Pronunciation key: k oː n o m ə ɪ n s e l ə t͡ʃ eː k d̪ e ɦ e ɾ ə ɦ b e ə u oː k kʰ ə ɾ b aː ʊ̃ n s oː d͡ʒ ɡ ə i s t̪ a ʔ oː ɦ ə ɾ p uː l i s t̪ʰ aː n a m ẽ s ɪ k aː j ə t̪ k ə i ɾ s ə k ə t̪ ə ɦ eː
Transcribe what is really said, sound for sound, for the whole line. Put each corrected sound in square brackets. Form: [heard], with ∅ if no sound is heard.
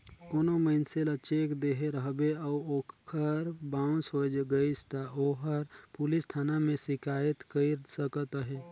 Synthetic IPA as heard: k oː n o m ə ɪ n s e l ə t͡ʃ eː k d̪ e ɦ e ɾ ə ɦ b e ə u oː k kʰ ə ɾ b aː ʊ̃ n s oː d͡ʒ ɡ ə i s t̪ a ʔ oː ɦ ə ɾ p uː l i s t̪ʰ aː n a m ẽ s ɪ k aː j ə t̪ k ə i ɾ s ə k ə t̪ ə ɦ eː